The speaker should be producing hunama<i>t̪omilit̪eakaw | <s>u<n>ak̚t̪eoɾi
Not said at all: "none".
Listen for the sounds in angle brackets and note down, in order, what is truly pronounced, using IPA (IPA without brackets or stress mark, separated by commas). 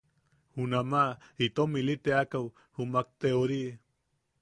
i, h, m